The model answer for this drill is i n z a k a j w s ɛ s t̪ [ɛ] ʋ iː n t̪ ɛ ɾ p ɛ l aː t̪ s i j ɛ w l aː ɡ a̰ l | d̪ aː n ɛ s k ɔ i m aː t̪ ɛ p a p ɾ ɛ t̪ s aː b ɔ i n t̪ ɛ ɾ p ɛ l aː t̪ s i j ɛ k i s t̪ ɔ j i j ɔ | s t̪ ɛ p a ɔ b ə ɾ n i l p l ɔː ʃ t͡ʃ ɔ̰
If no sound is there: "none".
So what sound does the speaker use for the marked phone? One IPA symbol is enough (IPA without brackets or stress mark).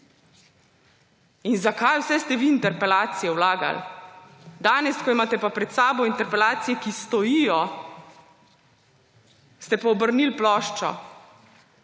ɛ